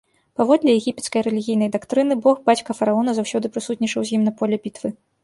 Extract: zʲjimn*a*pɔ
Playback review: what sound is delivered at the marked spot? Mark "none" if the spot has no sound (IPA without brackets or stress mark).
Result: ɐ